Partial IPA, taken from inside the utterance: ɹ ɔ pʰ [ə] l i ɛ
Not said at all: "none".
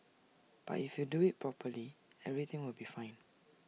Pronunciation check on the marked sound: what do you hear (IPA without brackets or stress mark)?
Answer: ə